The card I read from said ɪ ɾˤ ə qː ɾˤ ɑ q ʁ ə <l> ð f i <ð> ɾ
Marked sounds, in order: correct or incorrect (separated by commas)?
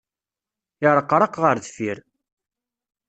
incorrect, incorrect